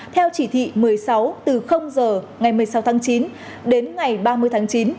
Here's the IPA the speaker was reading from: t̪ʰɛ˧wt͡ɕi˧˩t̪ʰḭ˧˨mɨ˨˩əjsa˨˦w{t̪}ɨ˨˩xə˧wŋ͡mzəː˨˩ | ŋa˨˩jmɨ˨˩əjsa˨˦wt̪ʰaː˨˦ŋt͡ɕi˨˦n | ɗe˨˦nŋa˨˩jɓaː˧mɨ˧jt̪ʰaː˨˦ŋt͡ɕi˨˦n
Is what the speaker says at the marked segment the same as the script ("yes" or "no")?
yes